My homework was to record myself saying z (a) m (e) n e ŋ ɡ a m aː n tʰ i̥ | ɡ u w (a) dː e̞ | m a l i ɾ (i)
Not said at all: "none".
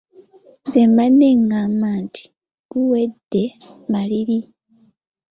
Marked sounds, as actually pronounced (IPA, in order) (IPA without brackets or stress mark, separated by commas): e, a, e, i